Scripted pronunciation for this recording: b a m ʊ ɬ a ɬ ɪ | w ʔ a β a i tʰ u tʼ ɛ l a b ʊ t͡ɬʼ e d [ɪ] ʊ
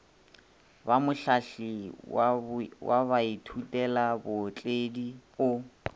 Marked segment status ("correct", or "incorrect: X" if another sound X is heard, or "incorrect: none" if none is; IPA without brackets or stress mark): incorrect: i